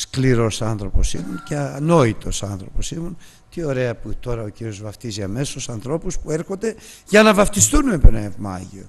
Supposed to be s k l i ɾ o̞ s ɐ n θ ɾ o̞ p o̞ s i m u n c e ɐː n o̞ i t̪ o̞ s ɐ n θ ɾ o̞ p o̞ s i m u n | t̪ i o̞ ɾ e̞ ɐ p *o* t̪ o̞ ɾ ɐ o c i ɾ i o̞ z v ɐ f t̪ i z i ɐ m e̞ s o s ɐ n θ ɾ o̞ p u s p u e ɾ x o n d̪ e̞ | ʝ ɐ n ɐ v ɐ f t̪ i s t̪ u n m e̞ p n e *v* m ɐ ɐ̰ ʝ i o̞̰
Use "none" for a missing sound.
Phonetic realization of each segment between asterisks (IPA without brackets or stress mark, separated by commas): u, v